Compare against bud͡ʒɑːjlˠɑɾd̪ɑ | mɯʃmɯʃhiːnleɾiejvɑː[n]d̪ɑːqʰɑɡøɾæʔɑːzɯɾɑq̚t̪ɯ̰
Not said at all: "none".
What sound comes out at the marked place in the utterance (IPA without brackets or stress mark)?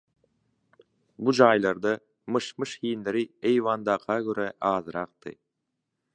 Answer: n